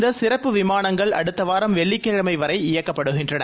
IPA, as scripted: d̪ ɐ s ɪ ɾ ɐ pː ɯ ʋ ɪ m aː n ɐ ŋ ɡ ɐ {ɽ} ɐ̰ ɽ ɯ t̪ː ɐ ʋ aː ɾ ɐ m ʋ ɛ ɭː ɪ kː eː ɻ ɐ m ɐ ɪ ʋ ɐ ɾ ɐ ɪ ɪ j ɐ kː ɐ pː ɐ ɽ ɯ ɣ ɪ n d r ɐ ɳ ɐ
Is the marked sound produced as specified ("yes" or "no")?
no